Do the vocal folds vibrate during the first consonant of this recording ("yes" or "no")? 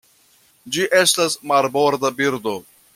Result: yes